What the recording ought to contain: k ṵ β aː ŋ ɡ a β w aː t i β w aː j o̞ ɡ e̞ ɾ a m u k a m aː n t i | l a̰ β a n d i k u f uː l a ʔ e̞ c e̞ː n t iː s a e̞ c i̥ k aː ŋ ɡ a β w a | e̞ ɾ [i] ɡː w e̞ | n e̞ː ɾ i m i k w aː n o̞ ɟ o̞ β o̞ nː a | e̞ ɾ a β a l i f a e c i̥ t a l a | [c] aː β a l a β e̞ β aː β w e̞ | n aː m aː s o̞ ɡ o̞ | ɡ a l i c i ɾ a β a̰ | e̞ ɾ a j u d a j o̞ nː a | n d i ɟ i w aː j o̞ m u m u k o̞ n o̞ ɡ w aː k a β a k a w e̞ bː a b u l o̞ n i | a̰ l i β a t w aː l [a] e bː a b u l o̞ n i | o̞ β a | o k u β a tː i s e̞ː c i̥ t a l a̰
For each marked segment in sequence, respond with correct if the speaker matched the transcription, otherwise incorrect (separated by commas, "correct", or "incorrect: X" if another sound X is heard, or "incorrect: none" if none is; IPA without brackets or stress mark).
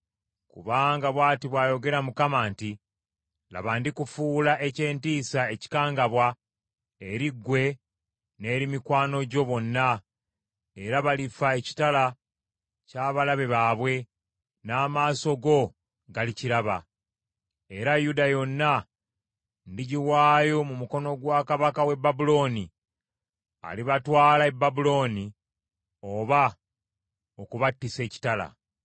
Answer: correct, correct, correct